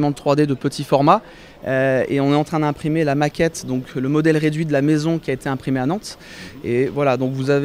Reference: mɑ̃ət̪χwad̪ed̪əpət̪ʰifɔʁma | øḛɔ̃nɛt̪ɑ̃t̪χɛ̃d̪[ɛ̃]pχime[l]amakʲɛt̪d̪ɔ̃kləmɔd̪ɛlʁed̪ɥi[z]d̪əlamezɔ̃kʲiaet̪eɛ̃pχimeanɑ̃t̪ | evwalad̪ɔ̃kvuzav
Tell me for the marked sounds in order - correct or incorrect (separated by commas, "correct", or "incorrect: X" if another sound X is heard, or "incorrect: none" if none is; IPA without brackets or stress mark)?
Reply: correct, correct, incorrect: none